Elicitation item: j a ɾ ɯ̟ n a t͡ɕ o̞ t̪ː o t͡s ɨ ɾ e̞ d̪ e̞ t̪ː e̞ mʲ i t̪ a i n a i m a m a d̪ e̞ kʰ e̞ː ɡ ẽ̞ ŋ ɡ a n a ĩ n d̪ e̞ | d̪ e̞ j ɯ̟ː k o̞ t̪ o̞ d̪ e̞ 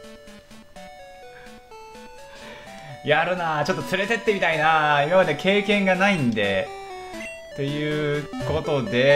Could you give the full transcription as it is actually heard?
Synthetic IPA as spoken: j a ɾ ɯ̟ n a t͡ɕ o̞ t̪ː o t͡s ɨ ɾ e̞ t̪ e̞ t̪ː e̞ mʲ i t̪ a i n a i m a m a d̪ e̞ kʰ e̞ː k ẽ̞ ŋ ɡ a n a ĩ n d̪ e̞ | t̪ e̞ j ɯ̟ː k o̞ t̪ o̞ d̪ e̞